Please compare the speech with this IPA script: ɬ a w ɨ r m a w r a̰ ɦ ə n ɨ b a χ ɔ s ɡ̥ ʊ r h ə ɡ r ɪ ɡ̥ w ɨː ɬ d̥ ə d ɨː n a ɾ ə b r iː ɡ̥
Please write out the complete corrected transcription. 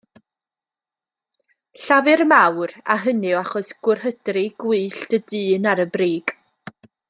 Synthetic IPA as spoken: ɬ a v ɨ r m a w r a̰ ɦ ə n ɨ w a χ ɔ s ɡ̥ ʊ r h ə d r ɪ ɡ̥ w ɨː ɬ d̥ ə d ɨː n a ɾ ə b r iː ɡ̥